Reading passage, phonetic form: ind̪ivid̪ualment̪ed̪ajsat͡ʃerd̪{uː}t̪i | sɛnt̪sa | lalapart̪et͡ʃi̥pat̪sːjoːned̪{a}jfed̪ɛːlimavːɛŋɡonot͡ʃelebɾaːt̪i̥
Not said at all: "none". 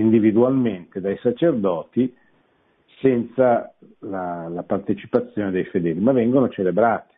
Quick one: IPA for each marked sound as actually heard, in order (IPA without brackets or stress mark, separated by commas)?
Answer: ɔː, e